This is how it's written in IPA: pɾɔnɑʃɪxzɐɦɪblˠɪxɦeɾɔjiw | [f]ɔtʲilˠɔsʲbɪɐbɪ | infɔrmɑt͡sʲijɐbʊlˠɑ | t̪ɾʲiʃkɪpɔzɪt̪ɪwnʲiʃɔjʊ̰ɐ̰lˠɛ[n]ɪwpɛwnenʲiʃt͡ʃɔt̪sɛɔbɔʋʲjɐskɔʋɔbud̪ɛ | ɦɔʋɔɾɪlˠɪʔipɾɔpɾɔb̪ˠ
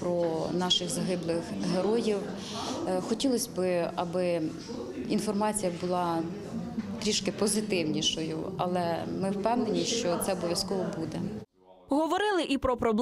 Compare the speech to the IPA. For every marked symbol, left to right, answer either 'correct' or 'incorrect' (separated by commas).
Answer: incorrect, incorrect